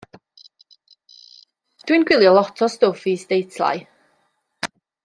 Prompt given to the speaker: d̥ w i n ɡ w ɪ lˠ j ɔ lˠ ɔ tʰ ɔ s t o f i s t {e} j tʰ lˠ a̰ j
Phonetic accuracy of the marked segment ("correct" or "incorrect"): correct